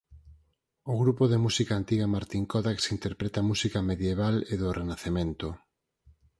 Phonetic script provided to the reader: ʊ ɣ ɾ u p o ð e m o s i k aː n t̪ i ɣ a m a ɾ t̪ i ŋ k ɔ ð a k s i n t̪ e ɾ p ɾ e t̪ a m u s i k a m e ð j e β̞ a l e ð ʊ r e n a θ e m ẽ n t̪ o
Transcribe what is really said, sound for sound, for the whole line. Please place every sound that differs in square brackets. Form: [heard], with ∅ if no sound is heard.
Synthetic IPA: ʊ ɣ ɾ u p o ð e m [u] s i k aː n t̪ i ɣ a m a ɾ t̪ i ŋ k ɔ ð a k s i n t̪ e ɾ p ɾ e t̪ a m u s i k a m e ð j e β̞ a l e ð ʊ r e n a θ e m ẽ n t̪ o